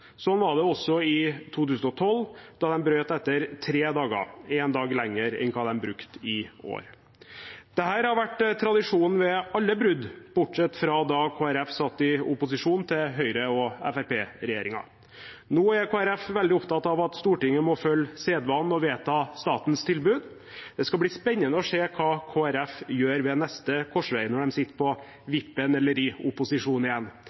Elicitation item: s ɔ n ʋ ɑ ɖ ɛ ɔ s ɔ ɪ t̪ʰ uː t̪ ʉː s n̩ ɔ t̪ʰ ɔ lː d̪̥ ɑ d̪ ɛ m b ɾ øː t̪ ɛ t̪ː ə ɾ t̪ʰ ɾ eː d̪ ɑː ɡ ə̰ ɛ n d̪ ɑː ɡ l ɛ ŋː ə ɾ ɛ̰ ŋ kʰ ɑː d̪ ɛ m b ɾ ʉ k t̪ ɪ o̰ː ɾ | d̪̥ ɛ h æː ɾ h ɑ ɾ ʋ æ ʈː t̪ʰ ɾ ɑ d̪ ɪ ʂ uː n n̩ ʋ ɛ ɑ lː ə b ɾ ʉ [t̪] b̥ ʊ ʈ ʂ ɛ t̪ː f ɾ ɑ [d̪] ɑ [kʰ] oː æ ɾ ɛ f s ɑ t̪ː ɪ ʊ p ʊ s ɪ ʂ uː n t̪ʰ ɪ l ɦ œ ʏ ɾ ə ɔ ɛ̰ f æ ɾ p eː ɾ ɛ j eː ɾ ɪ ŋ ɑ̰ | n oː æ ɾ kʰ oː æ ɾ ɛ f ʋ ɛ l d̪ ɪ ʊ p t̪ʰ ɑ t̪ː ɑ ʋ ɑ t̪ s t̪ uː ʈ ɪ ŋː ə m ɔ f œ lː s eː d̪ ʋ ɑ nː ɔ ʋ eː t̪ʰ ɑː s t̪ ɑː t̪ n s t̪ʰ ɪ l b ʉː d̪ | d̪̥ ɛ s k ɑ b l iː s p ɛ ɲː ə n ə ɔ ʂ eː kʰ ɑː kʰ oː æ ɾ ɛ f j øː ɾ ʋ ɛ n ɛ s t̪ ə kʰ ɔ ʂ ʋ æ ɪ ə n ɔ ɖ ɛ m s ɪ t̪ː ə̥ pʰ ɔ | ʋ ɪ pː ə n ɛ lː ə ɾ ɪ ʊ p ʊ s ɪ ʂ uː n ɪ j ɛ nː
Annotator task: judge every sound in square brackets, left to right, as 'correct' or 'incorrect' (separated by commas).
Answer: incorrect, correct, correct